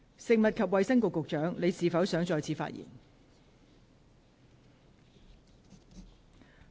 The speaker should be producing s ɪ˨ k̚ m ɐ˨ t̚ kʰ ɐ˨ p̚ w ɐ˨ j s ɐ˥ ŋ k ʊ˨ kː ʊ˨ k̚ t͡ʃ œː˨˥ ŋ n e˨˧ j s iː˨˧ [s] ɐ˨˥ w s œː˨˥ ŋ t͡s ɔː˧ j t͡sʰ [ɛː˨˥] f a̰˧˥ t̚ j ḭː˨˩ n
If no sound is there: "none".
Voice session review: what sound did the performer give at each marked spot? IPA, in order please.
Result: f, iː˨˥

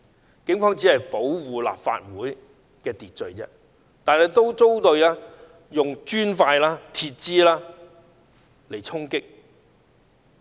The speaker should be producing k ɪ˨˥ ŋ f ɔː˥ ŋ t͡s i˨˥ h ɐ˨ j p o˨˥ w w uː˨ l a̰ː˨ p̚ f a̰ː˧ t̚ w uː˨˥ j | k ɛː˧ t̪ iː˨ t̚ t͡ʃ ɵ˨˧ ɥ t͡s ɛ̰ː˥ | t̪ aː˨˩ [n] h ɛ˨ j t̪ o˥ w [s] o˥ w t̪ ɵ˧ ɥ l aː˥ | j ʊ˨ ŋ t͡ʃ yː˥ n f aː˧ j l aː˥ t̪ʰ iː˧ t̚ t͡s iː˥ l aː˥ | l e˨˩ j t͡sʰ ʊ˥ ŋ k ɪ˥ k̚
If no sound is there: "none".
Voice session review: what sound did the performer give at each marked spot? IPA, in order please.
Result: n, t͡s

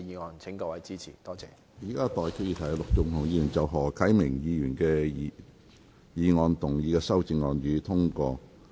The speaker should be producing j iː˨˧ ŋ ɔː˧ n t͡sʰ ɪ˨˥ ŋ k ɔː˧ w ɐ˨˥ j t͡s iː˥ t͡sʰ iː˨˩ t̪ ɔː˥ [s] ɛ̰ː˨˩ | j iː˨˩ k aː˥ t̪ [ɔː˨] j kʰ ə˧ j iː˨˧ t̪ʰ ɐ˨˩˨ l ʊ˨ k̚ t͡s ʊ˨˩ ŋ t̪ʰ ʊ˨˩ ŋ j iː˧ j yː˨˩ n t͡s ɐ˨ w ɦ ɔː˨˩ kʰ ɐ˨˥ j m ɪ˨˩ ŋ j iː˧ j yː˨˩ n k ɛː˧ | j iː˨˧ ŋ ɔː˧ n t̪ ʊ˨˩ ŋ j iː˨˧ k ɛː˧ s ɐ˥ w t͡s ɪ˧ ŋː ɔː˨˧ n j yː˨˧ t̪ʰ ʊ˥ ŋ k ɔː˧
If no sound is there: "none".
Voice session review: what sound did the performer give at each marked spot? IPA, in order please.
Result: t͡s, ɔː˨

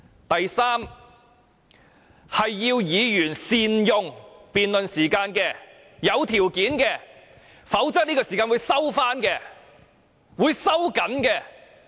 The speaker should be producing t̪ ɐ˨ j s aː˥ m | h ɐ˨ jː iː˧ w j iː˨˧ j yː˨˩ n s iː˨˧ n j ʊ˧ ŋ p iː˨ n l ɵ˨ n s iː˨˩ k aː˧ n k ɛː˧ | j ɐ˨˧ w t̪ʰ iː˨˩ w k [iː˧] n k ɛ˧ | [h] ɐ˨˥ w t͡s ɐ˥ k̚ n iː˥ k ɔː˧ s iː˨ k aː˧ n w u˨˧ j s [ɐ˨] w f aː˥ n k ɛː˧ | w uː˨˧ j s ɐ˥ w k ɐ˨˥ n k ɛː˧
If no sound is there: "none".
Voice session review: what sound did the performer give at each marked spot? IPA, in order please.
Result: iː˨˥, f, ɐ˥

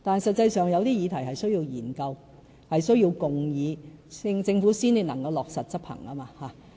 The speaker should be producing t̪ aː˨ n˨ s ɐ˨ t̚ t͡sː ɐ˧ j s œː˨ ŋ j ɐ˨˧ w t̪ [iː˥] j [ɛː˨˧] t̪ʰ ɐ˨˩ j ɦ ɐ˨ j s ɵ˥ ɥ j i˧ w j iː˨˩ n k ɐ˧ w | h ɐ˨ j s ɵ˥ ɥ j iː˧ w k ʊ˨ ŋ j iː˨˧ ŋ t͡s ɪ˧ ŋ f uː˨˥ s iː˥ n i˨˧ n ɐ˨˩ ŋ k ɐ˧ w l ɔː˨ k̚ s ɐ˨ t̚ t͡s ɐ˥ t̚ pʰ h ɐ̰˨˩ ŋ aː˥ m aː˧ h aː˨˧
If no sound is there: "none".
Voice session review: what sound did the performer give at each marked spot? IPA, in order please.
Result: iː˥, iː˨˧

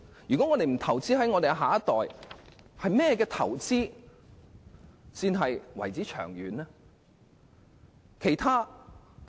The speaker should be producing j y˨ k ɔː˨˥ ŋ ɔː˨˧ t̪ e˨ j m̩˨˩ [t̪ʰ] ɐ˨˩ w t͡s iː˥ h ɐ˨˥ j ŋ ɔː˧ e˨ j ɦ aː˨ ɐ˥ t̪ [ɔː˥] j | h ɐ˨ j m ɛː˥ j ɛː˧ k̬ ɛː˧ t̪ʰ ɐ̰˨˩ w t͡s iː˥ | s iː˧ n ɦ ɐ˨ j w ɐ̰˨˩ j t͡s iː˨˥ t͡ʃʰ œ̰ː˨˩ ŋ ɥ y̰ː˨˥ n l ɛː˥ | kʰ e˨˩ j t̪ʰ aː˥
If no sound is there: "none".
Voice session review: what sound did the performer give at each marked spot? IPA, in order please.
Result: t̪ʰ, ɔː˨

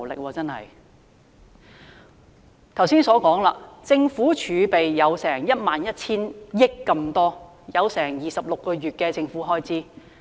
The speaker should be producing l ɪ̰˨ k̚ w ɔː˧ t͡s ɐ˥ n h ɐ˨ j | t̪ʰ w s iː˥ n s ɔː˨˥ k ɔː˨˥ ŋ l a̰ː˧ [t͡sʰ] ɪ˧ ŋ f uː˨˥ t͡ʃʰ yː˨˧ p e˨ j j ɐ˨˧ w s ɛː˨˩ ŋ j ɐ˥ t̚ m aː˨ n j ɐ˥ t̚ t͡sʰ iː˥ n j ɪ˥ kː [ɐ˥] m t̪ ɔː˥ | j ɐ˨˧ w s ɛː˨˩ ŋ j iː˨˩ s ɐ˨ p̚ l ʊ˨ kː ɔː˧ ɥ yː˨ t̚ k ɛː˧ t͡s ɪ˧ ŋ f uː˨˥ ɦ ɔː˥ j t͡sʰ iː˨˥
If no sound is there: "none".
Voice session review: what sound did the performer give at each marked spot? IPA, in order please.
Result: t͡s, ɐ˧

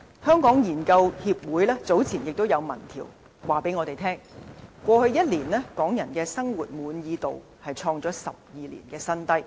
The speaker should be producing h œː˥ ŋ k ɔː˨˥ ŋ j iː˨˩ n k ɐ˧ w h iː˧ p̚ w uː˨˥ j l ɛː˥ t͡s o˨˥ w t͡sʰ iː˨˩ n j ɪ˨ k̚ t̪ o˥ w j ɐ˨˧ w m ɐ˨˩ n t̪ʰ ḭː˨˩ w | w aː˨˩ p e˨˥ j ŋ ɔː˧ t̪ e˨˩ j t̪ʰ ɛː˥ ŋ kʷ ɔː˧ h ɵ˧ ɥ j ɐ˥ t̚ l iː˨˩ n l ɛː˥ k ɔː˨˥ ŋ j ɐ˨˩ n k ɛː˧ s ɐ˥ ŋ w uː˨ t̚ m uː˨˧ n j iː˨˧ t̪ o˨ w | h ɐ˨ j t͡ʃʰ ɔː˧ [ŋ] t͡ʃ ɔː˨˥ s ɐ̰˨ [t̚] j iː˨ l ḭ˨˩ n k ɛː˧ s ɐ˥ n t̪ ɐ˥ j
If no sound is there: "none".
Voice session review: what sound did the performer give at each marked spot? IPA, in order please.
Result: ŋ, p̚

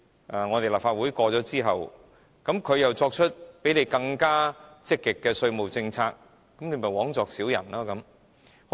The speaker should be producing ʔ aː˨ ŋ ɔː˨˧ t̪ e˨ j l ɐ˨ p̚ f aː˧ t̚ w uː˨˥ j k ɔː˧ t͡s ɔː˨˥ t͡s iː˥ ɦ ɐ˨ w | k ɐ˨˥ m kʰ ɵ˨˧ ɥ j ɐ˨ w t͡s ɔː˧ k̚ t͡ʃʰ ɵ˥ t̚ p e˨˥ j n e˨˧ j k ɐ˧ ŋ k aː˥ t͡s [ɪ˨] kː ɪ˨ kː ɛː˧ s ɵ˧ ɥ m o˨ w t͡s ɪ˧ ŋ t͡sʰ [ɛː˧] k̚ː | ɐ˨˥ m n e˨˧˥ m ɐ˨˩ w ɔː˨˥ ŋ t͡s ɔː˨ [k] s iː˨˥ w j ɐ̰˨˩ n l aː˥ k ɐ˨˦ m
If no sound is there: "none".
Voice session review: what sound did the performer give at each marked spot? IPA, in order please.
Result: ɪ˥, aː˧, k

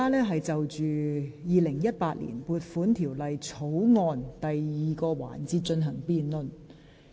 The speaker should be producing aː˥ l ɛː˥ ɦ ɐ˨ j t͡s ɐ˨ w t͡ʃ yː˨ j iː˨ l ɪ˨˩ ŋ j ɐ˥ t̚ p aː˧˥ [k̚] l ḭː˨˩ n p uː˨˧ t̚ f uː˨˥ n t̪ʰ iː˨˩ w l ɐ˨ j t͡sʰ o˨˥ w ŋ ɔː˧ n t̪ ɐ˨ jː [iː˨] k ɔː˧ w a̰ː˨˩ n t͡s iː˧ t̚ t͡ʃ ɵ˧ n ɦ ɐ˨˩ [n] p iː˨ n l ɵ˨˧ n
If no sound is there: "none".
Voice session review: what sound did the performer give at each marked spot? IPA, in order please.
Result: t̚, iː˨, ŋ

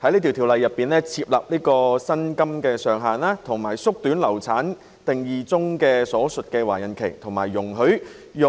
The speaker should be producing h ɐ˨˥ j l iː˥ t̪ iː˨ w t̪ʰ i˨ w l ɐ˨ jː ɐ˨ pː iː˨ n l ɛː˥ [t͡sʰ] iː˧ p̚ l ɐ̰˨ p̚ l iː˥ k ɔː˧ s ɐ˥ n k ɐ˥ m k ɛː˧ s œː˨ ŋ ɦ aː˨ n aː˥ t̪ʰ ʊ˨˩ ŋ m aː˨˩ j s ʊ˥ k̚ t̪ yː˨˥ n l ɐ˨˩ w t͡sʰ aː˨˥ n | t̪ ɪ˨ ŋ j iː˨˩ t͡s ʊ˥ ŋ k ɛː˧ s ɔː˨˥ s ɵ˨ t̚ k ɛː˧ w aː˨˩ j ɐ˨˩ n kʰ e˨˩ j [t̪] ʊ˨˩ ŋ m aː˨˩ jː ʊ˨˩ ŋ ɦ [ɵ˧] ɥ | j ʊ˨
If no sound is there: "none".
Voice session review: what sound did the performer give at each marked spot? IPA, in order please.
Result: t͡sʰ, t̪ʰ, ɵ˨˥

